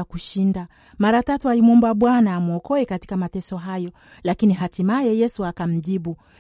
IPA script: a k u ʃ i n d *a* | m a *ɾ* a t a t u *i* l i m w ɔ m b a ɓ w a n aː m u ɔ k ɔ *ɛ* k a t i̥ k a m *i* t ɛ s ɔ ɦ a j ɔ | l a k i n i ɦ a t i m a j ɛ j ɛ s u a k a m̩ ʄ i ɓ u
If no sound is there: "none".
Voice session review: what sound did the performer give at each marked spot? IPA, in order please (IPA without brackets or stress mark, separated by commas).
a, ɾ, a, ɛ, a